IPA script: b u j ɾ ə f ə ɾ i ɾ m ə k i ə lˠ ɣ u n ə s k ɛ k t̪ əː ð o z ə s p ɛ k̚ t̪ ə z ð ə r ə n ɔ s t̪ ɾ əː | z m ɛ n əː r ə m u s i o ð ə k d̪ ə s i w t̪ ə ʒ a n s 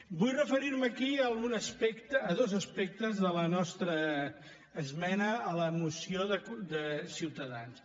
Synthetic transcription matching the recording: b u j r ə f ə ɾ i ɾ m ə k i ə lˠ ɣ u n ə s p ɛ k t̪ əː ð o z ə s p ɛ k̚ t̪ ə z ð ə l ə n ɔ s t̪ ɾ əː | z m ɛ n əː l ə m u s i o ð ə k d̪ ə s i w t̪ ə ð a n s